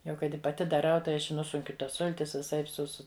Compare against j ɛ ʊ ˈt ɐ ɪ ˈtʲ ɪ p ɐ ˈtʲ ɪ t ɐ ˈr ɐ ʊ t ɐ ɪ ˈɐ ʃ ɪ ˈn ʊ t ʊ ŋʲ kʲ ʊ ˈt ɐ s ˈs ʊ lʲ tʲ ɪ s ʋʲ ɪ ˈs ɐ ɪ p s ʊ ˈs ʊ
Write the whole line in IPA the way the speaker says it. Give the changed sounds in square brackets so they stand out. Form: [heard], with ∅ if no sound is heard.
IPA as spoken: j ɛ ʊ [ˈk] ɐ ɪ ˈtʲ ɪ p ɐ ˈtʲ ɪ [d] ɐ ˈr ɐ ʊ t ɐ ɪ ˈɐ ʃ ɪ ˈn ʊ [s] ʊ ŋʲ kʲ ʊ ˈt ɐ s ˈs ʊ lʲ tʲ ɪ s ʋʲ ɪ ˈs ɐ ɪ p s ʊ ˈs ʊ